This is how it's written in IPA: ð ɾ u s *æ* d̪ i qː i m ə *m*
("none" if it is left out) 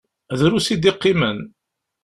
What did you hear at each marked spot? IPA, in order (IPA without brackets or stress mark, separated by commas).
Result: i, n